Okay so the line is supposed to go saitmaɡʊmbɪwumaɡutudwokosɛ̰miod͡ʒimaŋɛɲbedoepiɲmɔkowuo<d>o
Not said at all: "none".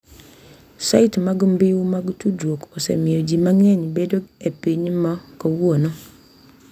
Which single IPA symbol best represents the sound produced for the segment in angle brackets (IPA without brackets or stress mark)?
n